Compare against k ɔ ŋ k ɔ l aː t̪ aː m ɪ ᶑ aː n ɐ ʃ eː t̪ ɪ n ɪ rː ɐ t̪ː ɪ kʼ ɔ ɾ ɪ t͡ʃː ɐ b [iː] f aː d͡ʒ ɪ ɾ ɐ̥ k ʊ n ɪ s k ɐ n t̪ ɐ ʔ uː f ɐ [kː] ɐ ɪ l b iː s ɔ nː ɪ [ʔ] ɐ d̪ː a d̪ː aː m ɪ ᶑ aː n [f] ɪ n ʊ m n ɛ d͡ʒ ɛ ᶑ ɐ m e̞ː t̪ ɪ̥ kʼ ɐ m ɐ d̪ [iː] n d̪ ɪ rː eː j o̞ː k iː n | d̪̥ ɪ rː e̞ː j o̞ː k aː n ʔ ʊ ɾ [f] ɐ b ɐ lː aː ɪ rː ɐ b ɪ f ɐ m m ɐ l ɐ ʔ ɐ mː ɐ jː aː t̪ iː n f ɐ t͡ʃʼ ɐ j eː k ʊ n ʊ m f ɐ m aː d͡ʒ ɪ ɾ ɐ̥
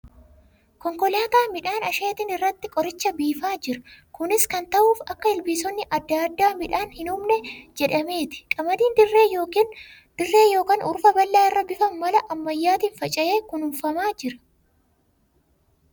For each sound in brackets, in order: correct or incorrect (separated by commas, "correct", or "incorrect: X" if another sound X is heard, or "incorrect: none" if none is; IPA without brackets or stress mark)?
correct, correct, correct, incorrect: h, correct, correct